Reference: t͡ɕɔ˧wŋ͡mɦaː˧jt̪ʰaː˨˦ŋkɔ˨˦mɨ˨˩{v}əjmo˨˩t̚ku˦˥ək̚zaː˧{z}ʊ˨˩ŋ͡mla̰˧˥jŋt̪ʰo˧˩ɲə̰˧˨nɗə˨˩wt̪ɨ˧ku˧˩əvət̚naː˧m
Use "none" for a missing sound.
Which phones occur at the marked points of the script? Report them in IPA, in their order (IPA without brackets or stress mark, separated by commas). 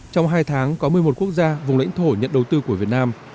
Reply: none, v